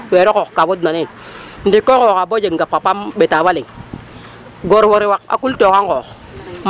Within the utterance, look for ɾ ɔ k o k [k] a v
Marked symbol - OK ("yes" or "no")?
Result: yes